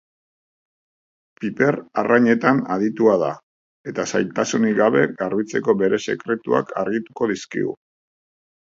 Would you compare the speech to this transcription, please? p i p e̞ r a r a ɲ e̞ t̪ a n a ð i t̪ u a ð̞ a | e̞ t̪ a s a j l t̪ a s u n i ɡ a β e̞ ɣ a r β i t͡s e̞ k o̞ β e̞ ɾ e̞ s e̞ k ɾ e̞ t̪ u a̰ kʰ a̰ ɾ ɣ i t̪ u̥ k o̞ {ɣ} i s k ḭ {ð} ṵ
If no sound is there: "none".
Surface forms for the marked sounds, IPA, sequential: ð, ɣ

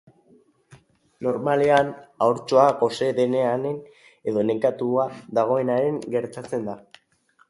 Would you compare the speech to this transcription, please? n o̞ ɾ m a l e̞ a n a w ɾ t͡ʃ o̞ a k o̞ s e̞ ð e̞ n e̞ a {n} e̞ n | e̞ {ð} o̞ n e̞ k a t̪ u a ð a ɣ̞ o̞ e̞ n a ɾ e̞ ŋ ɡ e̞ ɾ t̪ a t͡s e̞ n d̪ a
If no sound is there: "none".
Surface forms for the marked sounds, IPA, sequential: n, ð

